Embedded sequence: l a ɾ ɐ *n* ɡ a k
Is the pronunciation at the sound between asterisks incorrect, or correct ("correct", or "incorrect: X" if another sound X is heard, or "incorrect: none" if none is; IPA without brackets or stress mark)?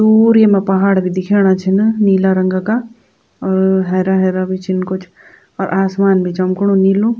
incorrect: ŋ